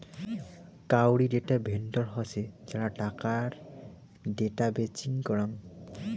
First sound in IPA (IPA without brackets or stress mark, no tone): k